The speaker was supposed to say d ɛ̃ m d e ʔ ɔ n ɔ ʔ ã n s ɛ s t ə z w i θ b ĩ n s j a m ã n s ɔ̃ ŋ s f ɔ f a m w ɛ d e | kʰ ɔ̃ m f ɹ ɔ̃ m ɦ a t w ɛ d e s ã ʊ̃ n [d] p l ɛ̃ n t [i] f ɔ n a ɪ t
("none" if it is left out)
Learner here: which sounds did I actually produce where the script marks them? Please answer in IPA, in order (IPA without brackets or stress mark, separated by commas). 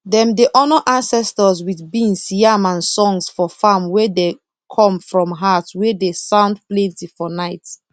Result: d, i